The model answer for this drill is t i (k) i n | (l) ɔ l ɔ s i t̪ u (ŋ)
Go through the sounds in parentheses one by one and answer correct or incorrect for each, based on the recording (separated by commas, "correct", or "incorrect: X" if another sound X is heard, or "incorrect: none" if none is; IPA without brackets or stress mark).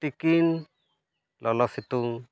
correct, correct, correct